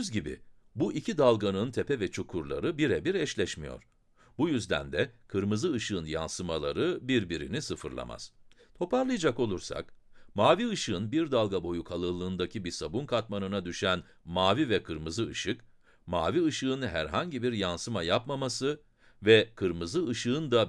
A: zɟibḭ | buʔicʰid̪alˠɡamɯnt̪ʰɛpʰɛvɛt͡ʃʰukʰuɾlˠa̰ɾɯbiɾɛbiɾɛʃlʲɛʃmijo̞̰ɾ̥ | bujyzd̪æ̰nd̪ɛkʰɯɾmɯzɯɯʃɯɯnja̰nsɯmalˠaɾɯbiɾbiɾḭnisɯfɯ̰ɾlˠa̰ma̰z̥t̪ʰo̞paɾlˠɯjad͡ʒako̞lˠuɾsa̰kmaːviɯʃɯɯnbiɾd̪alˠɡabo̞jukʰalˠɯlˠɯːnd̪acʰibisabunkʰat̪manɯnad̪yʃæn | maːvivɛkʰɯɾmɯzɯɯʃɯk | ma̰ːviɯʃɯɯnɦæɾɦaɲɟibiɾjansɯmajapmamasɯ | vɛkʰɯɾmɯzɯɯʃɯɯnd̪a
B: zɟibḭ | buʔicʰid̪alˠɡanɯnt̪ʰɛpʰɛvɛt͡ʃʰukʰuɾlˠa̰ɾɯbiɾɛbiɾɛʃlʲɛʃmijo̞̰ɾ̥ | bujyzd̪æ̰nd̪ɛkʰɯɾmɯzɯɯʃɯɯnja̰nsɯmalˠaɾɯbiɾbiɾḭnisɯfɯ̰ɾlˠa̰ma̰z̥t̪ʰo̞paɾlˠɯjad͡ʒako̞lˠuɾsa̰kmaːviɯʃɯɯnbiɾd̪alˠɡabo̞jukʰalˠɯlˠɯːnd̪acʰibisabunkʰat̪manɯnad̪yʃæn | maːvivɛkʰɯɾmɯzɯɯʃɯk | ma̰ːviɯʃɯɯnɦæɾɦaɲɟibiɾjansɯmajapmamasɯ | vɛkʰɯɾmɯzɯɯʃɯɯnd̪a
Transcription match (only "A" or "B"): B